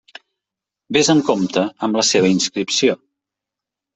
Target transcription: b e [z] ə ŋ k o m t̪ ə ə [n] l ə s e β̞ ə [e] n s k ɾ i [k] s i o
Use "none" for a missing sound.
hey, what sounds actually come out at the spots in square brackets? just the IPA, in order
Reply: z, m, i, p

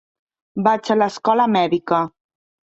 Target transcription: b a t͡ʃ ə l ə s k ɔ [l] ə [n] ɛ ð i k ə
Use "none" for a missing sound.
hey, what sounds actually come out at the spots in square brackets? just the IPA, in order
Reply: l, m

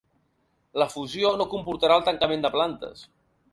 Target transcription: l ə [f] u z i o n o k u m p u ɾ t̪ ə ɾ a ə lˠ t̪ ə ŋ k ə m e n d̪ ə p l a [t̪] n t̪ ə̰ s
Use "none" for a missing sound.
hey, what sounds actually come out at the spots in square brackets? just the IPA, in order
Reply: f, none

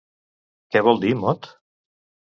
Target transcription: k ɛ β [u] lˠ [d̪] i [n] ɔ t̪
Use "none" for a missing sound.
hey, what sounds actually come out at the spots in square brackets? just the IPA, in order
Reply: ɔ, d̪, m

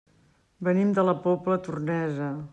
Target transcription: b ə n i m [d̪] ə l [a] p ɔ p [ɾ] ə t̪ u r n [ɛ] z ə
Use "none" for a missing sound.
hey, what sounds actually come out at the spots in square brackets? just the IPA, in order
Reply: d̪, ə, l, ɛ

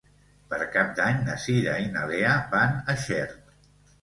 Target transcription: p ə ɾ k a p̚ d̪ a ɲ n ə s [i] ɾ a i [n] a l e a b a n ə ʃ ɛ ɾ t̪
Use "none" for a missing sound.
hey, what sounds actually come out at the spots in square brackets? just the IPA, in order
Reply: i, n

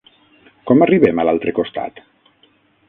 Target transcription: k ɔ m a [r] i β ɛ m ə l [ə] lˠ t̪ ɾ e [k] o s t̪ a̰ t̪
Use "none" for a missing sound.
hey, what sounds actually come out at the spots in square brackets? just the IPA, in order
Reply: r, a, k

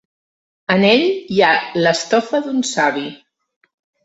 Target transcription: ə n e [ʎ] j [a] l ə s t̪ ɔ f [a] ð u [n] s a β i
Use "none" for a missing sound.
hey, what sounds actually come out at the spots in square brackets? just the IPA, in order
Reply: ʎ, a, ə, n

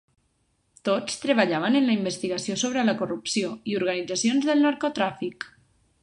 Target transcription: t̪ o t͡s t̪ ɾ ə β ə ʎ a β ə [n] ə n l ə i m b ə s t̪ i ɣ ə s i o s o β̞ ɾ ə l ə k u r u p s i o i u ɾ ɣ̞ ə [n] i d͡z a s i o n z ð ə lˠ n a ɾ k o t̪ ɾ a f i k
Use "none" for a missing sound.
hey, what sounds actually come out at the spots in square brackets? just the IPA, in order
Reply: n, n

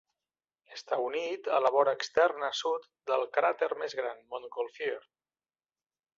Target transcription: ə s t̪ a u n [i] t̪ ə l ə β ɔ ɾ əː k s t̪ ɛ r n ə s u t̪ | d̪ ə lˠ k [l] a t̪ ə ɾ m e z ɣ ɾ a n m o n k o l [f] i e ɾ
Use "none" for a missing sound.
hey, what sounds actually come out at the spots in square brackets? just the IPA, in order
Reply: i, ɾ, f

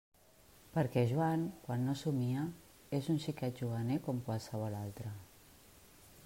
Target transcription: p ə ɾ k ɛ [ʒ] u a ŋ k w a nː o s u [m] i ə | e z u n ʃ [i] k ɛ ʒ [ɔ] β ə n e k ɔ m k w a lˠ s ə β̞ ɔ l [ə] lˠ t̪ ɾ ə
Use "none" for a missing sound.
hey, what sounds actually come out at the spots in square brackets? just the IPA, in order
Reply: ʒ, m, i, u, a

